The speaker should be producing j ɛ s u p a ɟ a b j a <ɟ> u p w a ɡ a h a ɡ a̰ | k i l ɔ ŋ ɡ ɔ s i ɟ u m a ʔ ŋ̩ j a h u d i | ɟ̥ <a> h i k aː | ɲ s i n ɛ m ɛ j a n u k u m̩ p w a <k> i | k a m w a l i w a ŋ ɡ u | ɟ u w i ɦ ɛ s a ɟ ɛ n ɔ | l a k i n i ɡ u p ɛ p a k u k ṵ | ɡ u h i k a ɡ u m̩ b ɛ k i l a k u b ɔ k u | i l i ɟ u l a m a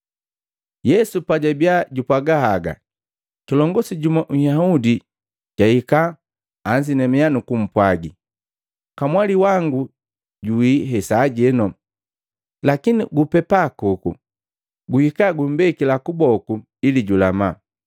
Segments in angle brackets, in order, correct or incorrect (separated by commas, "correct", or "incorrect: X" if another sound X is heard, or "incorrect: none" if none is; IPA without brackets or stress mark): correct, correct, incorrect: ɡ